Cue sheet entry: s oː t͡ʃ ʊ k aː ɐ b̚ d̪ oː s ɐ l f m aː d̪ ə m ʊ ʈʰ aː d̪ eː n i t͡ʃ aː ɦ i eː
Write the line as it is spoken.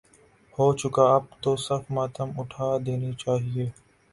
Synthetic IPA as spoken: h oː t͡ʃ ʊ k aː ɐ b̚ t̪ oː s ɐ ɾ f m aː t̪ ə m ʊ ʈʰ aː d̪ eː n i t͡ʃ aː ɦ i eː